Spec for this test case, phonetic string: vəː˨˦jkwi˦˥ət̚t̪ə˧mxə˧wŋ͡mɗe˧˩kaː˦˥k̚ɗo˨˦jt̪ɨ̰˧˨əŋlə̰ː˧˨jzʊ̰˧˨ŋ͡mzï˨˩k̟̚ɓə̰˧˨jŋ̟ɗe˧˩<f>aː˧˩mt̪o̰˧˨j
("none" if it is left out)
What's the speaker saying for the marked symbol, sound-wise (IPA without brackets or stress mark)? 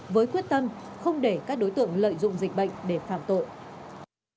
f